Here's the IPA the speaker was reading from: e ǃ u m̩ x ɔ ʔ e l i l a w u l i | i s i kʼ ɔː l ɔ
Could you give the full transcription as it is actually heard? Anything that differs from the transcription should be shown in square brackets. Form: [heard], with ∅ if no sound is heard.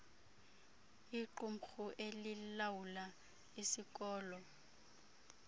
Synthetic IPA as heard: [i] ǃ u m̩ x [u] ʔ e l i l a w u l [a] | i s i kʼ ɔː l ɔ